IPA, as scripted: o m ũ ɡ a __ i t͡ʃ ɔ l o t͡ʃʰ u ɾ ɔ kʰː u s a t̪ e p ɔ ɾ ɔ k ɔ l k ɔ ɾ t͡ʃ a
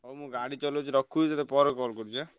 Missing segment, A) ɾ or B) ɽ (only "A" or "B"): B